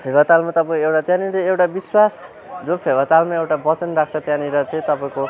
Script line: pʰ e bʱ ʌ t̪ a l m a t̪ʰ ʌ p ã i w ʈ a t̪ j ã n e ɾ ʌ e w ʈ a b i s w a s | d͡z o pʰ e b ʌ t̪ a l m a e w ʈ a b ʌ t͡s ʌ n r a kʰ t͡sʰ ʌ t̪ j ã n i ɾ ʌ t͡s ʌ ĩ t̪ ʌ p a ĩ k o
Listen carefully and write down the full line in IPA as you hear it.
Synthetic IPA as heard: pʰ e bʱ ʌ t̪ a l m a t̪ ʌ p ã e w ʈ a t̪ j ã n i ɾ ʌ e w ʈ a b i s w a s | d͡z o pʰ e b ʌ t̪ a l m a e w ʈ a b ʌ t͡s ʌ n r a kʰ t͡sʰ ʌ t̪ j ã n i ɾ ʌ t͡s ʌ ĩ t̪ ʌ p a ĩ k o